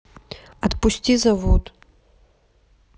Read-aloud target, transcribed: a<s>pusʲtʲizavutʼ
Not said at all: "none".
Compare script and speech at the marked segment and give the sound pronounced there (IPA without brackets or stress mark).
t